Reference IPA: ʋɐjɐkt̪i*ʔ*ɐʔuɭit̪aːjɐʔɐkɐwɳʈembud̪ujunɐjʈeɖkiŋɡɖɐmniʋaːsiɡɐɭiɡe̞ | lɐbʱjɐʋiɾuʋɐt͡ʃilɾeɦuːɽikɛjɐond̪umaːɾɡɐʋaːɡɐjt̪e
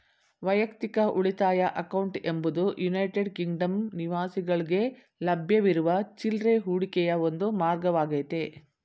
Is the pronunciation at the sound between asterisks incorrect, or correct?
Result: incorrect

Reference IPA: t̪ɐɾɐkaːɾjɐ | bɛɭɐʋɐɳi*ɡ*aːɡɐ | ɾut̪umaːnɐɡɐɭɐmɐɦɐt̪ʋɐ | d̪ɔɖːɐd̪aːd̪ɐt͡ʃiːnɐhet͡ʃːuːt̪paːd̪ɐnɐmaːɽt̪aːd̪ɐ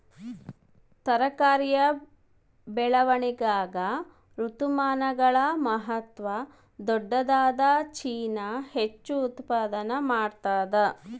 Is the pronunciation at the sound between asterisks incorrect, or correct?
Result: correct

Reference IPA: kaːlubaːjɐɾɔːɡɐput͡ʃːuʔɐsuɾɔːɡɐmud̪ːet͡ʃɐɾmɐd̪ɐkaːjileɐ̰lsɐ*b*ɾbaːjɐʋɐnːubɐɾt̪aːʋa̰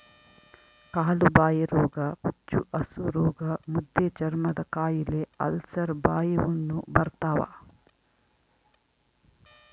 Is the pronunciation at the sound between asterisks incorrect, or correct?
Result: incorrect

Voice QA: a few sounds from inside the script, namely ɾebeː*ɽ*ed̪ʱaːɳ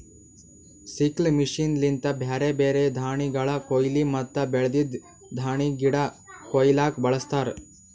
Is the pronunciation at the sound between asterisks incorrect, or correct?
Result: incorrect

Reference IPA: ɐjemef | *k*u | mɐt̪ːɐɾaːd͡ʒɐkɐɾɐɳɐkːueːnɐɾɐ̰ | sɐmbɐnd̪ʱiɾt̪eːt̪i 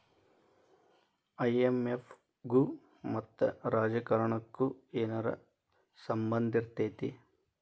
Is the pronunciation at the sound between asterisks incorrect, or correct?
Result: incorrect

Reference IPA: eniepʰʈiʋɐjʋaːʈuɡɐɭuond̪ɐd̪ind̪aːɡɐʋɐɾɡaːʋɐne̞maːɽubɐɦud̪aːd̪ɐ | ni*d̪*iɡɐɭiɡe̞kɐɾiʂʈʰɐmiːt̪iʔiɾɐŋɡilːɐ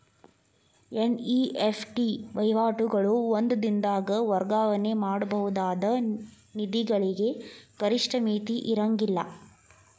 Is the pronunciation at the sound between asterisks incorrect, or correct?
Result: correct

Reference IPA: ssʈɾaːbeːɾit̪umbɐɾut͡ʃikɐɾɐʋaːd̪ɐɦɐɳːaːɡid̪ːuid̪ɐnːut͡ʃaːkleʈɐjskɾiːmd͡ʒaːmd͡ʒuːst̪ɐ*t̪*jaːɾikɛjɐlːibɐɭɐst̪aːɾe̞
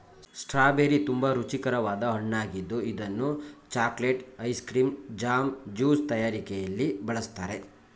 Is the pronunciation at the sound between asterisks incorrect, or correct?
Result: incorrect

